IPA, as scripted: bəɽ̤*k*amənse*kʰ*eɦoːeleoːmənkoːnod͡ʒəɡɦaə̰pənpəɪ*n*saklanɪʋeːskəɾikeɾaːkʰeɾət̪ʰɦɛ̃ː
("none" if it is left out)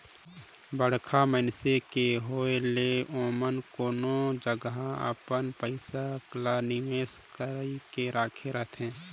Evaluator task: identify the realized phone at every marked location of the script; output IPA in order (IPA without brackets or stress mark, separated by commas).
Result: kʰ, k, none